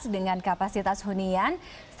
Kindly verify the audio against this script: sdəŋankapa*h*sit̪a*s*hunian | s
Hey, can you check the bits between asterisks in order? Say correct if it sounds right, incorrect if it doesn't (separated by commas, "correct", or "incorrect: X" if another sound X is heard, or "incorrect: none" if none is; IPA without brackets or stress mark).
incorrect: none, correct